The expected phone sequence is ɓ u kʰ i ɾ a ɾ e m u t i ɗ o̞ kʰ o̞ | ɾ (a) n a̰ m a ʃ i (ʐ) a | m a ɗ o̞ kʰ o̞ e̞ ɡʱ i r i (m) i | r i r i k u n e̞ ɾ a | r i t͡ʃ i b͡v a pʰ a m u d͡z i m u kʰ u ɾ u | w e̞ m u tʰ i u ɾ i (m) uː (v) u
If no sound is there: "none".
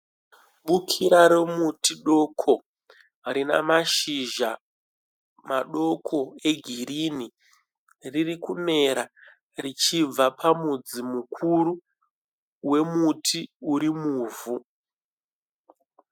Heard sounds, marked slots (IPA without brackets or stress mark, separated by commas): i, ʒ, n, m, v